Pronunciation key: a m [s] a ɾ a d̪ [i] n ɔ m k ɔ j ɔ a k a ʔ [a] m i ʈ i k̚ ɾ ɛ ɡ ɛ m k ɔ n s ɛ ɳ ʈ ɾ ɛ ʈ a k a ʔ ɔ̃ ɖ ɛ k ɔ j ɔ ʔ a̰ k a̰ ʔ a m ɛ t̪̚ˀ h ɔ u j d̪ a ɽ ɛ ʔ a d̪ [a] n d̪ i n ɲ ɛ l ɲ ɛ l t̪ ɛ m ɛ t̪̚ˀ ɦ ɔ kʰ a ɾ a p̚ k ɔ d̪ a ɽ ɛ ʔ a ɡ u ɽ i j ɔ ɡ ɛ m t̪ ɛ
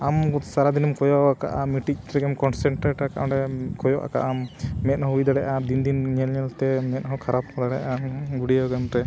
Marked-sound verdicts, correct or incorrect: correct, correct, correct, incorrect

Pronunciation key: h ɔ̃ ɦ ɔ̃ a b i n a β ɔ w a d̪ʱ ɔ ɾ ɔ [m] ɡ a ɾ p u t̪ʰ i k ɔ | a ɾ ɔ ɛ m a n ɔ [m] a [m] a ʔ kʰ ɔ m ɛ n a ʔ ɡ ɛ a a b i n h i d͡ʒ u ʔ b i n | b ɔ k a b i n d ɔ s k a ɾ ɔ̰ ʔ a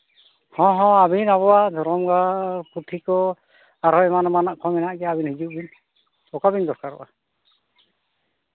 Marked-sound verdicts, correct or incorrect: correct, correct, incorrect

